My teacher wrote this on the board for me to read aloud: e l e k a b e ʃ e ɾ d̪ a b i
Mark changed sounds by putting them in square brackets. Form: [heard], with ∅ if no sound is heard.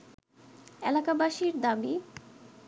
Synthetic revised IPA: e l [a] k a b [a] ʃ [i] ɾ d̪ a b i